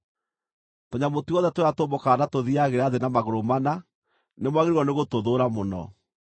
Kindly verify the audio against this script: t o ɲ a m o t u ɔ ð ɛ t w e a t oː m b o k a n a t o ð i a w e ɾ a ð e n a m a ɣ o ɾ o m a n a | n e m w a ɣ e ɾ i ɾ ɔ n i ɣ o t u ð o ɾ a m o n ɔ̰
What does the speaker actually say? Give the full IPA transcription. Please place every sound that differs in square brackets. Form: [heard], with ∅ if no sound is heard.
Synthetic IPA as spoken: t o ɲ a m o t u ɔ ð ɛ t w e a t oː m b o k a n a t o ð i a [ɣ] e ɾ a ð e n a m a ɣ o ɾ o m a n a | n e m w a ɣ e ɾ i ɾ ɔ n [e] ɣ o t [o] ð o ɾ a m o n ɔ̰